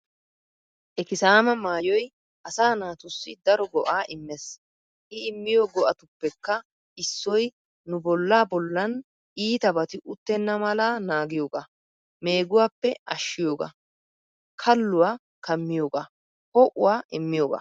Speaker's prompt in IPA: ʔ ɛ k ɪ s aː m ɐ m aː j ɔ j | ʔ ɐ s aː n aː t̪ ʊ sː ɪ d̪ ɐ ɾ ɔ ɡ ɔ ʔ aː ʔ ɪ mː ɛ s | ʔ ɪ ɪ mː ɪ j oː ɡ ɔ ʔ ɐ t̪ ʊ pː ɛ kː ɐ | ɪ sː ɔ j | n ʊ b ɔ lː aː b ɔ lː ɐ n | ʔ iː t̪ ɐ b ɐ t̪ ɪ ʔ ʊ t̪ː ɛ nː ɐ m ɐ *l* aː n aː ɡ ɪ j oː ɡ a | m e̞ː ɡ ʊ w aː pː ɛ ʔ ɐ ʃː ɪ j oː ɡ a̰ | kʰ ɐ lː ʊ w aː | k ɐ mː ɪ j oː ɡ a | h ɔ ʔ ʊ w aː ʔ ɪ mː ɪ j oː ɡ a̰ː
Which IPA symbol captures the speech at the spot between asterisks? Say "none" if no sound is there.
l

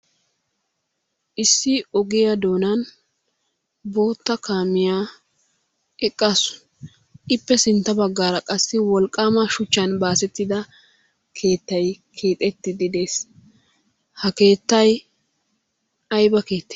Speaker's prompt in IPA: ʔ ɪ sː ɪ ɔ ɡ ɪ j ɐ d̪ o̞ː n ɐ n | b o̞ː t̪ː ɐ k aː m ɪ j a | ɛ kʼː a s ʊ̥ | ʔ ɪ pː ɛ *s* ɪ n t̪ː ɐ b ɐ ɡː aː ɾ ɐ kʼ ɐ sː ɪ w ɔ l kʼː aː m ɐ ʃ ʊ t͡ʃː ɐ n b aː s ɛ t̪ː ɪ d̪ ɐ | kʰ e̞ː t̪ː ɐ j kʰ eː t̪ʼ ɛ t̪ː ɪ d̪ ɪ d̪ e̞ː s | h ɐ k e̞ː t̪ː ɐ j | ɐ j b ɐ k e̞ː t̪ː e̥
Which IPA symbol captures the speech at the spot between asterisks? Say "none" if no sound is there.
s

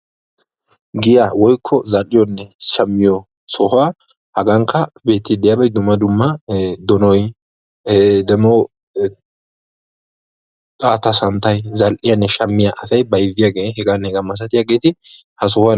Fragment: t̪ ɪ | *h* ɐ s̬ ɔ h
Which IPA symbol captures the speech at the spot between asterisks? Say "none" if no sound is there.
h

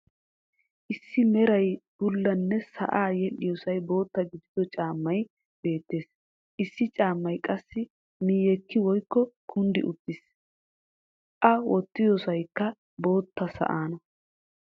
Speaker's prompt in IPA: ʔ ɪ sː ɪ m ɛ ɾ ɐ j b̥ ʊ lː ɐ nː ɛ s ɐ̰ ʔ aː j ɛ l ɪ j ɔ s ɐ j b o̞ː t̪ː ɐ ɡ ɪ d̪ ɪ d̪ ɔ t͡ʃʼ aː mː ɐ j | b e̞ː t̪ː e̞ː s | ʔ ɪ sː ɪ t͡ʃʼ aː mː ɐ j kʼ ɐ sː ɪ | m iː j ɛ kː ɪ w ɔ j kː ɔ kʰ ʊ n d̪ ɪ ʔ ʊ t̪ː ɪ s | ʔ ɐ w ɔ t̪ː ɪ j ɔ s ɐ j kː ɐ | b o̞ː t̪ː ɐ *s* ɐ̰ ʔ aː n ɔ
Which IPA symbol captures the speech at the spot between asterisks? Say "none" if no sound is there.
s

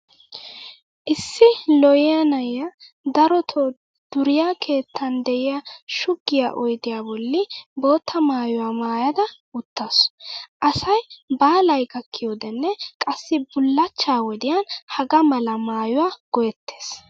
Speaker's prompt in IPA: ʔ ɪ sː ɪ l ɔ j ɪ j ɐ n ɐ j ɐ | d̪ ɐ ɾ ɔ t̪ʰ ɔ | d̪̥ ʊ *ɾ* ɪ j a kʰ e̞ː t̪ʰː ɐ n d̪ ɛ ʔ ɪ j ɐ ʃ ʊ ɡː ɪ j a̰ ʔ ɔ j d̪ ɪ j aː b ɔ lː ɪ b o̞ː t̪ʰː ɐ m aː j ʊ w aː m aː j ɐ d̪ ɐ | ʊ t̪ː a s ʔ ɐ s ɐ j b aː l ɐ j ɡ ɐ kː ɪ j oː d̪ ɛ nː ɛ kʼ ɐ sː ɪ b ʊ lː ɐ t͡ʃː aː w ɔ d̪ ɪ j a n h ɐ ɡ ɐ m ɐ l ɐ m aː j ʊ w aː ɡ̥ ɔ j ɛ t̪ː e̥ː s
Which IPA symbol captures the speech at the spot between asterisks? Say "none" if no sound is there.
ɾ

